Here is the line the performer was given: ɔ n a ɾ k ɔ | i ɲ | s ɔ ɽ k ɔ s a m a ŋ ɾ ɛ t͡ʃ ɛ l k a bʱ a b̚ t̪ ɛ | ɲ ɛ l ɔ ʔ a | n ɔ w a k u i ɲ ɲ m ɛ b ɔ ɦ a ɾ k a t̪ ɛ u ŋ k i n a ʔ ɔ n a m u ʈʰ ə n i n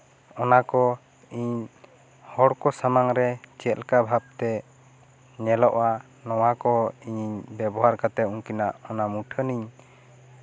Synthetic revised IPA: ɔ n a k ɔ | i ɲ | h ɔ ɽ k ɔ s a m a ŋ ɾ ɛ t͡ʃ ɛ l k a bʱ a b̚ t̪ ɛ | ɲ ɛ l ɔ ʔ a | n ɔ w a k ɔ i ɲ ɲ b ɛ b ɔ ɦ a ɾ k a t̪ ɛ u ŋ k i n a ʔ ɔ n a m u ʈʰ ə n i ɲ